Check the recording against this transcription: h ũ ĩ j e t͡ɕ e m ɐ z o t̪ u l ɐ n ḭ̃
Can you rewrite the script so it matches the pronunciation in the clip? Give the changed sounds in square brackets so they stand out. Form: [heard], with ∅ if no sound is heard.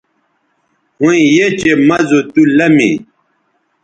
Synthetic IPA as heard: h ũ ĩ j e t͡ɕ e m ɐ z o t̪ u l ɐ [m] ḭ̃

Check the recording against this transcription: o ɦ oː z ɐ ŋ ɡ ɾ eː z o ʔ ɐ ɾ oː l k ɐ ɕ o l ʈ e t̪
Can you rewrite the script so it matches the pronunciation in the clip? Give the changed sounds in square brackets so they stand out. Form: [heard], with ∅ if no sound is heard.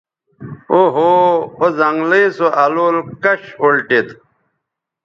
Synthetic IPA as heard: o ɦ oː z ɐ ŋ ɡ [l] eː [s] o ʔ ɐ [l] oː l k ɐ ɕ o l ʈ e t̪

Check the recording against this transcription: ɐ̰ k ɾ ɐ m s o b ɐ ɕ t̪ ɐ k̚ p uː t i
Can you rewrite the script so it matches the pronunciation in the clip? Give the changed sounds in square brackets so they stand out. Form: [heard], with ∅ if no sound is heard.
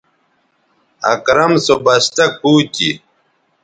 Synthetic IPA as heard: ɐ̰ k ɾ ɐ m s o b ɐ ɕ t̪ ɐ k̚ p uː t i

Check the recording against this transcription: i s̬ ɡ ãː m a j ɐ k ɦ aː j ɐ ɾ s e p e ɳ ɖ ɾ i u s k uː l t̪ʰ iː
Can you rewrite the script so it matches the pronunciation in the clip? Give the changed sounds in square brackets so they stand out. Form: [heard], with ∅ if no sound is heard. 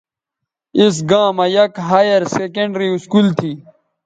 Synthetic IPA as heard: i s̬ ɡ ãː m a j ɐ k ɦ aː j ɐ ɾ s e [k] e ɳ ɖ ɾ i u s k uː l t̪ʰ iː

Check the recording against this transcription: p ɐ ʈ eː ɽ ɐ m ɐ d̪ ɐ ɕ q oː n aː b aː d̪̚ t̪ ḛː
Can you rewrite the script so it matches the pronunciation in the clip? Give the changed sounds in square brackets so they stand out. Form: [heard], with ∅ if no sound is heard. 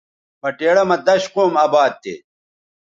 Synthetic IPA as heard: p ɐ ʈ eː ɽ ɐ m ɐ d̪ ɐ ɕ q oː [m] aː b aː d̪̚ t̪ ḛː

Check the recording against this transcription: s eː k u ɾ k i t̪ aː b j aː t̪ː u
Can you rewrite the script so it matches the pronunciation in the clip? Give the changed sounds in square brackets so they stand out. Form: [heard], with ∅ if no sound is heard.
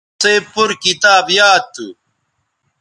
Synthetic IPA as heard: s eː [p] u ɾ k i t̪ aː b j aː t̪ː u

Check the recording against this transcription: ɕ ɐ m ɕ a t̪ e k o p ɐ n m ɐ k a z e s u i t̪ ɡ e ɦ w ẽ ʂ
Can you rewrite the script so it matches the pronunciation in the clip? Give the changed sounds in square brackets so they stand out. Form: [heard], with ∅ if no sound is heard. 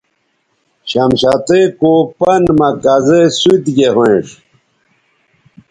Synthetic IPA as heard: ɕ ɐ m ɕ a t̪ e k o p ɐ n m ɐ k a z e s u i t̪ ɡ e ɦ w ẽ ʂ

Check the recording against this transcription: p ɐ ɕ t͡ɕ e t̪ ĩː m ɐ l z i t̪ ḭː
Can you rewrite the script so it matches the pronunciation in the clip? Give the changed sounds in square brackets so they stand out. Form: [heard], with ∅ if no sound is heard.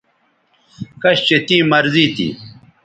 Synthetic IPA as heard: [k] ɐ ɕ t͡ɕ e t̪ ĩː m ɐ [ɾ] z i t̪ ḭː

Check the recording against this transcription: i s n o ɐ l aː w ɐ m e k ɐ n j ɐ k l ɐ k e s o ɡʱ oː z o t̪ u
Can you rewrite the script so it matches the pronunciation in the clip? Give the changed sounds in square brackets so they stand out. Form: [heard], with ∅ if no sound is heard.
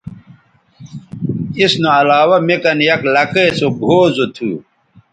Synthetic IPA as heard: i s n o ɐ l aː w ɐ m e k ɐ n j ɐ k l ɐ k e s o ɡʱ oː z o [t̪ʰ] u

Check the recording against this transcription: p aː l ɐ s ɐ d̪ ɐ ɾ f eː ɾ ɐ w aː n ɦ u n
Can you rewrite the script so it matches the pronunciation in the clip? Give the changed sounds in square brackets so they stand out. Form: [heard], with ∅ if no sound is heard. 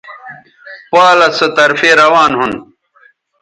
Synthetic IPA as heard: p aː l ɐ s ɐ [t̪] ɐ ɾ f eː ɾ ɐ w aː n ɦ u n

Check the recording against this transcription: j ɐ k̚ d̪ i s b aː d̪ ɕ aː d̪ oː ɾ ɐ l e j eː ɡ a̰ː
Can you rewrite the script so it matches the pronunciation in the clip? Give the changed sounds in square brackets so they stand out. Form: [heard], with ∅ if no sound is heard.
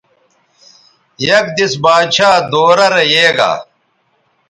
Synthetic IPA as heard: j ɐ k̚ d̪ i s b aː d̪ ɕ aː d̪ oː ɾ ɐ [ɾ] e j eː ɡ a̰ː

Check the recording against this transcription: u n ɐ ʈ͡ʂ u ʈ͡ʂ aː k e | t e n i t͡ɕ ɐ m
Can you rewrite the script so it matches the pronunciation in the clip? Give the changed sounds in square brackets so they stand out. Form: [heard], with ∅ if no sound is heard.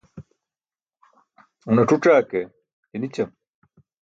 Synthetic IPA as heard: u n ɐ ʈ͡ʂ u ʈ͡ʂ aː k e | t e n i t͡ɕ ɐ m

